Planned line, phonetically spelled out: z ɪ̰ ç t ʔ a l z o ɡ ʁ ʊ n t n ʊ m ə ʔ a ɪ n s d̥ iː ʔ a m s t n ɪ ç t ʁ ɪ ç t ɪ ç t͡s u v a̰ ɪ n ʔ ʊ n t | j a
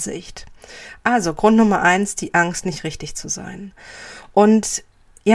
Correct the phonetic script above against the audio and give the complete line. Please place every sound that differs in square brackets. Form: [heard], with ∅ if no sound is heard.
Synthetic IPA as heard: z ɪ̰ ç t ʔ a l z o ɡ ʁ ʊ n t n ʊ m [ɐ] ʔ a ɪ n s d̥ iː ʔ a [ŋ] s t n ɪ ç t ʁ ɪ ç t ɪ ç t͡s u [z] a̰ ɪ n ʔ ʊ n t | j a